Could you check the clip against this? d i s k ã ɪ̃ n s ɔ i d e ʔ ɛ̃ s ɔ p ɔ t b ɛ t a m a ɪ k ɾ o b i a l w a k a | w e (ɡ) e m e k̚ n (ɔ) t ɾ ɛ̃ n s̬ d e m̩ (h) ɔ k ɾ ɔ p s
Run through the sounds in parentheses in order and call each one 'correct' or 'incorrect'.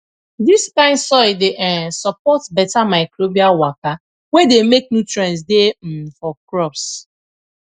incorrect, incorrect, incorrect

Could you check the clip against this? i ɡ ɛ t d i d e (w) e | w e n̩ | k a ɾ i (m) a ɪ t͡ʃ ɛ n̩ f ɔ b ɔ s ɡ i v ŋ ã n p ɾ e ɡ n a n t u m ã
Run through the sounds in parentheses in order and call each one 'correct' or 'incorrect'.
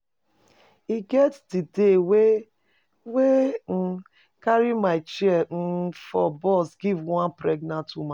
correct, correct

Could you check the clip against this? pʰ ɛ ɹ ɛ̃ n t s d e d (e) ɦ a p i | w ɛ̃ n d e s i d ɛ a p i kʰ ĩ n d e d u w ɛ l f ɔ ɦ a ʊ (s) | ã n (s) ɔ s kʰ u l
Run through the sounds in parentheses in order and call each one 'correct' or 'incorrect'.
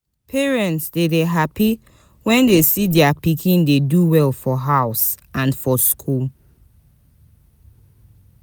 correct, correct, incorrect

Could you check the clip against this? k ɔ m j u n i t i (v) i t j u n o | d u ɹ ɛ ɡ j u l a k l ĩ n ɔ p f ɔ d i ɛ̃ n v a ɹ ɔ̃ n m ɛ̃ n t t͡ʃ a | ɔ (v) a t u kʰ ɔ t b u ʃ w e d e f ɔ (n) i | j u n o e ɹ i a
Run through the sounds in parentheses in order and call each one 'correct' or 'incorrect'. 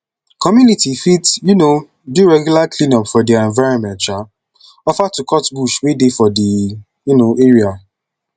incorrect, incorrect, incorrect

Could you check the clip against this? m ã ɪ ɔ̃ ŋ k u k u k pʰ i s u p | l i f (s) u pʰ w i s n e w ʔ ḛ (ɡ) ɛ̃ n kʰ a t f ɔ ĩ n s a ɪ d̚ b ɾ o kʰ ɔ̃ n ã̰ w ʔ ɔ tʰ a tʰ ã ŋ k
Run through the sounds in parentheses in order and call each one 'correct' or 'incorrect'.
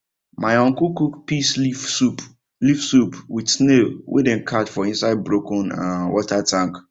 correct, incorrect

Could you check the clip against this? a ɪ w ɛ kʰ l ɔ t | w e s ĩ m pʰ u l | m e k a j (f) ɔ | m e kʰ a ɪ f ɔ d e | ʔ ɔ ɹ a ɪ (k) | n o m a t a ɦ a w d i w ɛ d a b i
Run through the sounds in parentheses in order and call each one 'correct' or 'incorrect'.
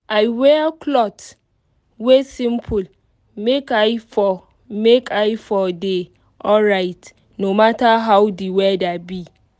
correct, incorrect

